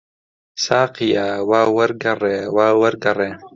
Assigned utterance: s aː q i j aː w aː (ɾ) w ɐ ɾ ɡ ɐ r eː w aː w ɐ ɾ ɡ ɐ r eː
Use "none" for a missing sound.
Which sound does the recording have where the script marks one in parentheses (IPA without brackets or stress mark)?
none